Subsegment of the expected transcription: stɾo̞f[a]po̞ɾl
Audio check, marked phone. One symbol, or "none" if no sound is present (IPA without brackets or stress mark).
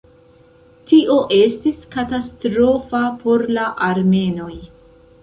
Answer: a